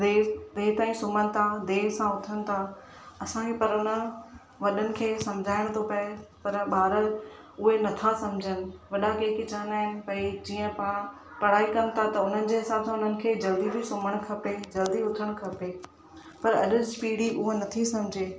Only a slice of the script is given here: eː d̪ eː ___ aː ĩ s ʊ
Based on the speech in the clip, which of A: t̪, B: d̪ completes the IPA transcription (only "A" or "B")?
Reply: A